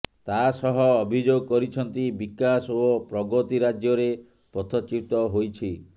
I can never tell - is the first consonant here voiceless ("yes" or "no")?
yes